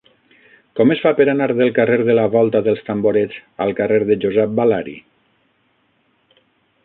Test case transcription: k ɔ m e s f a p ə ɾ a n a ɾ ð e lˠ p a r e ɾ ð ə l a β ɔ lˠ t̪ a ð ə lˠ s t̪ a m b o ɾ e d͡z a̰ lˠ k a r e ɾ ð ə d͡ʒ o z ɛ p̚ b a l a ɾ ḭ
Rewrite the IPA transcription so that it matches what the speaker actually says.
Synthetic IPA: k ɔ m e s f a p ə ɾ a n a ɾ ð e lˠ k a r e ɾ ð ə l a β ɔ lˠ t̪ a ð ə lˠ s t̪ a m b o ɾ e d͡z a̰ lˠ k a r e ɾ ð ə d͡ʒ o z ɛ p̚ b a l a ɾ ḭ